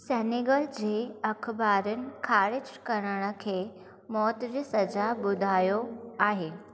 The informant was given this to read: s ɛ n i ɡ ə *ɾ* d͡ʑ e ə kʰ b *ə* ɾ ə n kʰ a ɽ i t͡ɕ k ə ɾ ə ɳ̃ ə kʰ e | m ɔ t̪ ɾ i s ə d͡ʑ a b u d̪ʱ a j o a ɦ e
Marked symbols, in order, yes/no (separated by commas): no, no